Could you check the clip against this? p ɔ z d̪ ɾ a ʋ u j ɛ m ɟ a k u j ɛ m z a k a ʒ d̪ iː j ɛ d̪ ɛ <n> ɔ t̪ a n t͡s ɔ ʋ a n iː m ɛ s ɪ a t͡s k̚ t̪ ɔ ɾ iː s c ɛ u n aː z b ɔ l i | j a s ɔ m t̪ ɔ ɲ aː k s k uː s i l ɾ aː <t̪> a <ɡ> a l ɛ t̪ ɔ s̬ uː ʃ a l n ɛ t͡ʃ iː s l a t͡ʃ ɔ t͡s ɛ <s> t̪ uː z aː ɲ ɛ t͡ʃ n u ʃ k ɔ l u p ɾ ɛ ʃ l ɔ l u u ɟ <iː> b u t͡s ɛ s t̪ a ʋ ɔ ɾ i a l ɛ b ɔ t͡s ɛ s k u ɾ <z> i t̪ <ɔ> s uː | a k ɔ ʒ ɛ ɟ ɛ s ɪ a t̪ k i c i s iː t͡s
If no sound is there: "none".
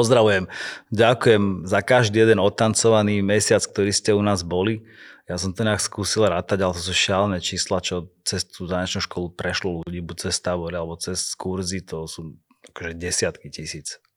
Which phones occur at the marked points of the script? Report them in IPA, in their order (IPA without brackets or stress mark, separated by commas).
n, t̪, ɟ, s, iː, z, ɔ